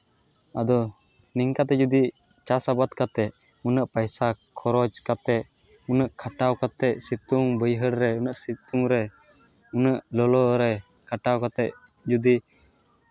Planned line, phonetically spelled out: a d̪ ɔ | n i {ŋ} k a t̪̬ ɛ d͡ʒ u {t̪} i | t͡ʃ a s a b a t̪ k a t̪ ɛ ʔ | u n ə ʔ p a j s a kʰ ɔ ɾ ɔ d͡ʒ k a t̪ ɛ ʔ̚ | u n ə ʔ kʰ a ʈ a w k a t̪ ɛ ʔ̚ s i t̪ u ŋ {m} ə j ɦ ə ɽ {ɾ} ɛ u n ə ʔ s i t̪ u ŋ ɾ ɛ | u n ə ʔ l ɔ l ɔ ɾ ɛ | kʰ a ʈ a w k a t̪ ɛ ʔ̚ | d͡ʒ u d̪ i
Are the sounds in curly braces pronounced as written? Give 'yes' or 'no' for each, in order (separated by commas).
yes, no, no, yes